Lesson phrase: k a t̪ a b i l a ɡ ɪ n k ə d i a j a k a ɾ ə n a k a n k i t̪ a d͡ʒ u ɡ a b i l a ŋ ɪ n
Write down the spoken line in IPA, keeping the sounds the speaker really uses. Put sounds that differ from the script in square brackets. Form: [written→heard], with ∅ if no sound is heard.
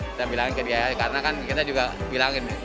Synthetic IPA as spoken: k [a→i] t̪ a b i l a [ɡ→ŋ] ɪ n k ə d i a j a k a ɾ ə n a k a n k i t̪ a d͡ʒ u ɡ a b i l a ŋ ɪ n